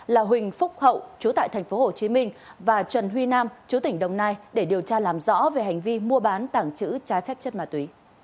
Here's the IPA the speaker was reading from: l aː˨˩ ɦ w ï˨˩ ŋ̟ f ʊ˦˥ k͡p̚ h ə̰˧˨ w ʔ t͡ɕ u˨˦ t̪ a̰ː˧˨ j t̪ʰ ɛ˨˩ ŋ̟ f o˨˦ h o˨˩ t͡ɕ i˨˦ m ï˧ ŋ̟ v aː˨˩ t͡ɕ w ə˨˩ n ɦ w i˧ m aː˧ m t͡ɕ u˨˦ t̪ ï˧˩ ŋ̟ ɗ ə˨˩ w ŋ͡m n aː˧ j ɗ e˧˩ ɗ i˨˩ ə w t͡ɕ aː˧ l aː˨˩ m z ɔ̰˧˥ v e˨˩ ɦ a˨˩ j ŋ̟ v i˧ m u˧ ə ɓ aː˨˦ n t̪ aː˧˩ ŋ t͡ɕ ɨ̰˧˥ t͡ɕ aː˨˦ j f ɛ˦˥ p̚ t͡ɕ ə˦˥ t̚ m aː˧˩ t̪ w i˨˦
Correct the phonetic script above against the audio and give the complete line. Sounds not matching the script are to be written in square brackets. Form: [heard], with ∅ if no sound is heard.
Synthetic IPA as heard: l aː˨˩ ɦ w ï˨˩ ŋ̟ f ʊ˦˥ k͡p̚ h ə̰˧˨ w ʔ t͡ɕ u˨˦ t̪ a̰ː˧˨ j t̪ʰ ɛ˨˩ ŋ̟ f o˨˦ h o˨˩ t͡ɕ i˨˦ m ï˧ ŋ̟ v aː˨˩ t͡ɕ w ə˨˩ n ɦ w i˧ [n] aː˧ m t͡ɕ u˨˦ t̪ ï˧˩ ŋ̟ ɗ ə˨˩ w ŋ͡m n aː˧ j ɗ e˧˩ ɗ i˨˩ ə w t͡ɕ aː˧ l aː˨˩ m z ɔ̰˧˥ v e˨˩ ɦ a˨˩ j ŋ̟ v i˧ m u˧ ə ɓ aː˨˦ n t̪ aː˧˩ ŋ t͡ɕ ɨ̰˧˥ t͡ɕ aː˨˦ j f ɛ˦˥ p̚ t͡ɕ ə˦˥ t̚ m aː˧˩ t̪ w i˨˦